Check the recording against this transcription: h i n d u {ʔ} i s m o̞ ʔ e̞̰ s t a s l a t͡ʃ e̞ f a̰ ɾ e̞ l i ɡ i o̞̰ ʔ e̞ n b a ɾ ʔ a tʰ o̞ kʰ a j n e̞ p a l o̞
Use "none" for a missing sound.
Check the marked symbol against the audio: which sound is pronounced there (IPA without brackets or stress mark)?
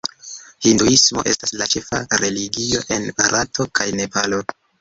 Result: none